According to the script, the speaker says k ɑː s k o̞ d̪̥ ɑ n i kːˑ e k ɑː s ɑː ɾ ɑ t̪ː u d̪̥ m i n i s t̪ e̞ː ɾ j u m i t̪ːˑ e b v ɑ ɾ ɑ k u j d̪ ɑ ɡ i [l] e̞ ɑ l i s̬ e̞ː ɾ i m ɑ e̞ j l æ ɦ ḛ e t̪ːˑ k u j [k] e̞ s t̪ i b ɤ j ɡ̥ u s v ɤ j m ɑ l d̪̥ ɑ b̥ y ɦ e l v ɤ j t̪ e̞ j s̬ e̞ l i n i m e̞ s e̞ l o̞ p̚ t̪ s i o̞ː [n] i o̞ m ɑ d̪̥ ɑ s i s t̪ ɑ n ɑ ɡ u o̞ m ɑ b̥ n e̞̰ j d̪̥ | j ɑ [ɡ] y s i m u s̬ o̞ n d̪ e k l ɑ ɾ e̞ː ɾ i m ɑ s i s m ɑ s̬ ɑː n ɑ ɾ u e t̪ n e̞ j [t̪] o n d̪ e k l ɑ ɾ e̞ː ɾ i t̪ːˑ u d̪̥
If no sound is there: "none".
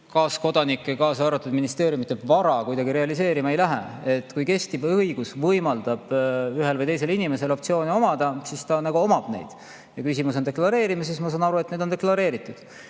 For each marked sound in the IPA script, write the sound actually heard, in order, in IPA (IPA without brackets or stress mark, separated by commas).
ɾ, k, n, k, d̪